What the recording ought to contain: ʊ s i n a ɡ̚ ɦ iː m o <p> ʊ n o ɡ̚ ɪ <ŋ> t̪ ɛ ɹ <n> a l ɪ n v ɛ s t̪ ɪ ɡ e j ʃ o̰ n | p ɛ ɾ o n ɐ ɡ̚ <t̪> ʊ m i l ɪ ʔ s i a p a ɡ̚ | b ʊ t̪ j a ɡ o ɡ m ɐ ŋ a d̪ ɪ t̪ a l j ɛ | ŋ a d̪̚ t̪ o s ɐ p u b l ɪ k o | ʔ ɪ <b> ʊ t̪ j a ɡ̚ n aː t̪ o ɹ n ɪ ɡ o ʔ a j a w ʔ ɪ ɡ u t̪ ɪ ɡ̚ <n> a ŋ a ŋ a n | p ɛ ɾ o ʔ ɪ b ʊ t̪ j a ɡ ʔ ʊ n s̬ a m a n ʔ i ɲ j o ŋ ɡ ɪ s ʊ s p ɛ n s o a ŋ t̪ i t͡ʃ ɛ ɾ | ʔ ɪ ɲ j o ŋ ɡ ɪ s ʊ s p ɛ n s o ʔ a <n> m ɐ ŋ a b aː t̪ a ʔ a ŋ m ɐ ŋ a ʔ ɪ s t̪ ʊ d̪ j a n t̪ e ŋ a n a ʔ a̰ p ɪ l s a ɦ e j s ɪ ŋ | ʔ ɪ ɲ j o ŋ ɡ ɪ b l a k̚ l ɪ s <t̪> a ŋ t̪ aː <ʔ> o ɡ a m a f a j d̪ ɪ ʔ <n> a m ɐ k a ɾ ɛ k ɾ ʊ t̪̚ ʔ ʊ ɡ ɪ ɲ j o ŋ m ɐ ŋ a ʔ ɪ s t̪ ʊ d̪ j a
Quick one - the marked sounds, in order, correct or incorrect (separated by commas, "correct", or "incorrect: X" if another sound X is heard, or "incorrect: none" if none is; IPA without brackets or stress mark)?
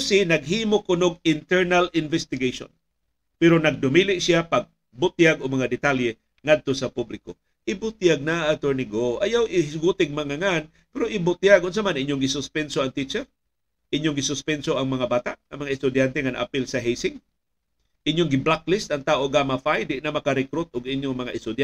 incorrect: k, incorrect: n, correct, incorrect: d̪, correct, incorrect: m, incorrect: ŋ, correct, correct, correct